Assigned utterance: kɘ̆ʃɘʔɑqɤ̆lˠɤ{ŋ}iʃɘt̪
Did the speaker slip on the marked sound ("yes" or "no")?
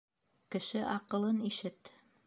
yes